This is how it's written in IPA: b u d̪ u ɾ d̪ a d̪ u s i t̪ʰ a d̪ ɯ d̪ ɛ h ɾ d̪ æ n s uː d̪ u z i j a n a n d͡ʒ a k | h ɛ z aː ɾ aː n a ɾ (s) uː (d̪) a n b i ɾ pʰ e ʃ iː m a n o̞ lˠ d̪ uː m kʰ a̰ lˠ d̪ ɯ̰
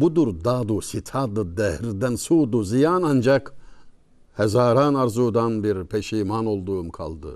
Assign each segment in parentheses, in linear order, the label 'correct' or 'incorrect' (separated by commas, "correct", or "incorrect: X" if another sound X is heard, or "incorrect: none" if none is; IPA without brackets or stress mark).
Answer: incorrect: z, correct